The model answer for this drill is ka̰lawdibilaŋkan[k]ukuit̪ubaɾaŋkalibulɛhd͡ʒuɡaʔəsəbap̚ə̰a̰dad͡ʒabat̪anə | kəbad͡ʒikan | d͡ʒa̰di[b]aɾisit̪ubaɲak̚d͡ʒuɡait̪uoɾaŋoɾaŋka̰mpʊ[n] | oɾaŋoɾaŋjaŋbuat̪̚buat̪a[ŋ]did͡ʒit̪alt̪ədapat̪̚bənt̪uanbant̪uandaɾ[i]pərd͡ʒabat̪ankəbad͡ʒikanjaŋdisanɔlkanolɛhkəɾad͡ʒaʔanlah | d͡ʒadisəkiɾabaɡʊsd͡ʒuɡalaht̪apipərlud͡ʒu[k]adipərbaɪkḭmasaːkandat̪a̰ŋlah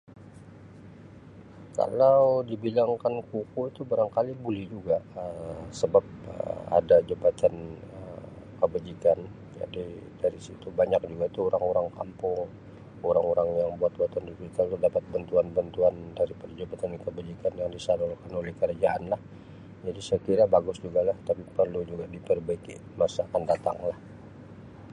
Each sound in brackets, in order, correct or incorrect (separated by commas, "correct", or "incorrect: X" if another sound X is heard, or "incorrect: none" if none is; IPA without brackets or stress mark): correct, incorrect: d, incorrect: ŋ, incorrect: n, correct, incorrect: ɡ